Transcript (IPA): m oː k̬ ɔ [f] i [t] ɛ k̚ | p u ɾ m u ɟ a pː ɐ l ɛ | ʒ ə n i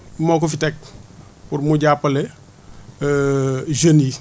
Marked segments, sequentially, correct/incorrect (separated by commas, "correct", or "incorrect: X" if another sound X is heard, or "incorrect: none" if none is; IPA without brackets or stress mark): correct, correct